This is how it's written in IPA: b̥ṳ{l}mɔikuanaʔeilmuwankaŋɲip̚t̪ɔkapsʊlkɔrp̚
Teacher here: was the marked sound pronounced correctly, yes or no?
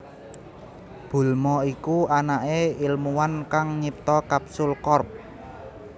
yes